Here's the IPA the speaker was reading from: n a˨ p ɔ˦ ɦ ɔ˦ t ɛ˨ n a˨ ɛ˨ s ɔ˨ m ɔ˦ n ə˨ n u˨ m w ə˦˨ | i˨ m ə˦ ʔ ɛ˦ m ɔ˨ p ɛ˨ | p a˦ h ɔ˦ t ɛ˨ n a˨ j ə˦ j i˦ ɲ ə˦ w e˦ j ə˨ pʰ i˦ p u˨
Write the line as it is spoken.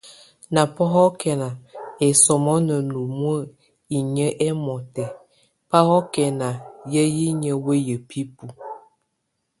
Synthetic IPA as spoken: n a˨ p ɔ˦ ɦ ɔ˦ k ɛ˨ n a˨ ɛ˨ s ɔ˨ m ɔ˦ n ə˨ n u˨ m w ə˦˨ | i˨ ɲ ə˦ ʔ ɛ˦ m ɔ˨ t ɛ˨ | p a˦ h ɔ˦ k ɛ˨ n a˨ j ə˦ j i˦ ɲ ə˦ w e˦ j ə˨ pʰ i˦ p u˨